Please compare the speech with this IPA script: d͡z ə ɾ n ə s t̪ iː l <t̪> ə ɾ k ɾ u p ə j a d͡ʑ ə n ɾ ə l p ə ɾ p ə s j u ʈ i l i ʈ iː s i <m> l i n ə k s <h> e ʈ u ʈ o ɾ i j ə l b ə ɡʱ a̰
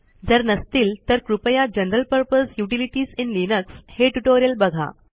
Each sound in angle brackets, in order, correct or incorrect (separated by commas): correct, incorrect, correct